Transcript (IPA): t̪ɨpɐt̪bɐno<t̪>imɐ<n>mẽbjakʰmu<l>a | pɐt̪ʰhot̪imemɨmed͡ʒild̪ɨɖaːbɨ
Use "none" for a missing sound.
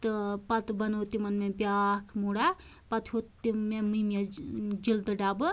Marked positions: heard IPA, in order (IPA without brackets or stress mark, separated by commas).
t̪, n, ɽ